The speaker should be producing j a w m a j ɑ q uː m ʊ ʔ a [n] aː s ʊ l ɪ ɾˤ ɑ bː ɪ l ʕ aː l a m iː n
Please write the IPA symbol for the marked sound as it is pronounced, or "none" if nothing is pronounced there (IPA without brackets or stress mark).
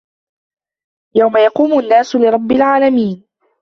nː